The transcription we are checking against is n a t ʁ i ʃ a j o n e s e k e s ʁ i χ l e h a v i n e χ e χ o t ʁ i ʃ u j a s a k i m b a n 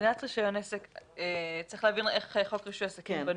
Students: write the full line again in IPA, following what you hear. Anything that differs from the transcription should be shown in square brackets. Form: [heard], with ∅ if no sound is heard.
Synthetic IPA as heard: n a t ʁ i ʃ a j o n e s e k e [t͡s] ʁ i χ l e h a v i n e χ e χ o [k] ʁ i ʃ u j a s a k i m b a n